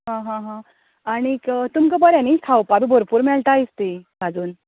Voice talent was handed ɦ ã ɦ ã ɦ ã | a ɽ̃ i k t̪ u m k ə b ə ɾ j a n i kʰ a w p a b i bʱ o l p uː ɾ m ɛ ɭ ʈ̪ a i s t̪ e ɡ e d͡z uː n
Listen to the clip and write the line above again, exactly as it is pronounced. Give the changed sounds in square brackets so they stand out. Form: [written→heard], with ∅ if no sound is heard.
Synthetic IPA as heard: ɦ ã ɦ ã ɦ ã | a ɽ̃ i k t̪ u m k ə b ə ɾ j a n i kʰ a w p a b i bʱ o [l→ɾ] p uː ɾ m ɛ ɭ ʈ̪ a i s t̪ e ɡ [e→a] d͡z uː n